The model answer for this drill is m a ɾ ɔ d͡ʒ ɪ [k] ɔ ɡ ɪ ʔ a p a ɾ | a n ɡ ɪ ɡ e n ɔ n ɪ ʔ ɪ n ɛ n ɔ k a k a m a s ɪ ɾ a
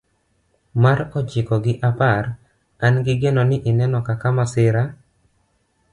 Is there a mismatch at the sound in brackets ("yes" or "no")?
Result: no